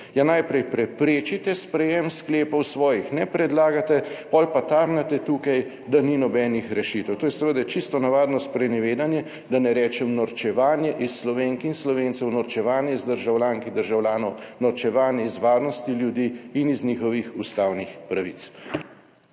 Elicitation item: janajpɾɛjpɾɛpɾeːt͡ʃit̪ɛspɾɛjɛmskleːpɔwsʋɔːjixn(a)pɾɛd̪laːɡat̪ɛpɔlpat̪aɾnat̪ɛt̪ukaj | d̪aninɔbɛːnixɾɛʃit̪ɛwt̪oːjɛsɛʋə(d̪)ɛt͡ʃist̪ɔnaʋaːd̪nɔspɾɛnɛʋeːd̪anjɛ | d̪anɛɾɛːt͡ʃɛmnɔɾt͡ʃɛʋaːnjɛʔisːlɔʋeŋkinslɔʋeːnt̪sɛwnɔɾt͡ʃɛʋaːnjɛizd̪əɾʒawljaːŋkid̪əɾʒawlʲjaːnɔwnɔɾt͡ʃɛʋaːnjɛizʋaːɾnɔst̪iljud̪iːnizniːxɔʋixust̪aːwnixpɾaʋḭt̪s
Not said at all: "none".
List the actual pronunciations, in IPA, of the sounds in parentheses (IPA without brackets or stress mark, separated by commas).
ɛ, d̪